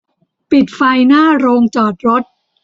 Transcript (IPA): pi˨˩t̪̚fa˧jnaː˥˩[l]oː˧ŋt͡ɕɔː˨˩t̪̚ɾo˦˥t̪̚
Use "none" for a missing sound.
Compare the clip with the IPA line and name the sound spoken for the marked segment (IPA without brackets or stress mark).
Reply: ɾ